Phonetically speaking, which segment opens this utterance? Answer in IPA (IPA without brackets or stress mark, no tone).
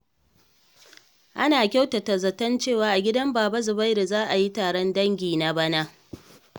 ʔ